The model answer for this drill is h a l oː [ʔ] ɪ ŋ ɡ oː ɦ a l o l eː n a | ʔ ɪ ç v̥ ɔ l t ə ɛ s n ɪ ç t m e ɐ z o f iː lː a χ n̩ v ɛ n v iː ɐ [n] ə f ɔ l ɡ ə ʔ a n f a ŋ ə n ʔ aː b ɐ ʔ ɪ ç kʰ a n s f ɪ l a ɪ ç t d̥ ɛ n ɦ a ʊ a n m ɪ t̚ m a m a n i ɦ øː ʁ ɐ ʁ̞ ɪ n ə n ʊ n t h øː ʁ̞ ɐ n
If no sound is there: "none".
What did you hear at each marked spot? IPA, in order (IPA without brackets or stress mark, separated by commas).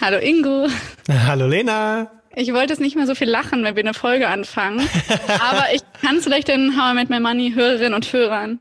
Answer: ʔ, n